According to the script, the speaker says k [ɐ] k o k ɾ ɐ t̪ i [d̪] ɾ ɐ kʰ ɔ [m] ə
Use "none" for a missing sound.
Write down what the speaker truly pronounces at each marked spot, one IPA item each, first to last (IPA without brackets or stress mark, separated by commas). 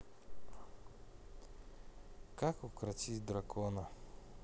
a, d̪, n